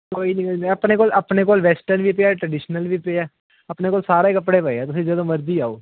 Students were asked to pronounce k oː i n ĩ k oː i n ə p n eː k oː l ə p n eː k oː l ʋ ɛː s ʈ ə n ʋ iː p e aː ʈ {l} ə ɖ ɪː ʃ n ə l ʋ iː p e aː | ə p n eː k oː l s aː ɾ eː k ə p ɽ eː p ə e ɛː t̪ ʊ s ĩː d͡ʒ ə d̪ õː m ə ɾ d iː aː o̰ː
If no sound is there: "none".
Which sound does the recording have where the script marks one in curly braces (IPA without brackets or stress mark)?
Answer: ɾ